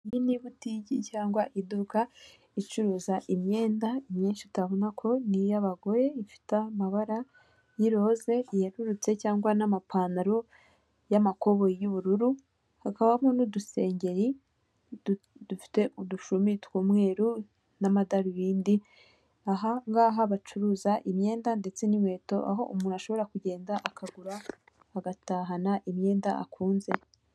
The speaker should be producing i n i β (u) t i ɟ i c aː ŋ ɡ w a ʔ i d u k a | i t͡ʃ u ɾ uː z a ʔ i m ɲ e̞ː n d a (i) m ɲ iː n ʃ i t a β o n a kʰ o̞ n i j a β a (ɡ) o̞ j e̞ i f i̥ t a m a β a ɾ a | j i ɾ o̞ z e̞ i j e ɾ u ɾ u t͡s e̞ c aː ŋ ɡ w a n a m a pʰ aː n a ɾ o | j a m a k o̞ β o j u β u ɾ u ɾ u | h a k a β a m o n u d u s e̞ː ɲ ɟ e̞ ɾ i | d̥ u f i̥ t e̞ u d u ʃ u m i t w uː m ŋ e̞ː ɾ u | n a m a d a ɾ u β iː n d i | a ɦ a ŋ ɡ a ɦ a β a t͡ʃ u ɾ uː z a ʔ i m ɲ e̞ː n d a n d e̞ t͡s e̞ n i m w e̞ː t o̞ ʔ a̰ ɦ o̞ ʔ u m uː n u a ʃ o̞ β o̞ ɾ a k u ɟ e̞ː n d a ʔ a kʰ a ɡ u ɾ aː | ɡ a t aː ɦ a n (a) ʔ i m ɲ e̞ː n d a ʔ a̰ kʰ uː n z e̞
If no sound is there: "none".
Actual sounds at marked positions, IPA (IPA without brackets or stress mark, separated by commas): u, i, ɡ, a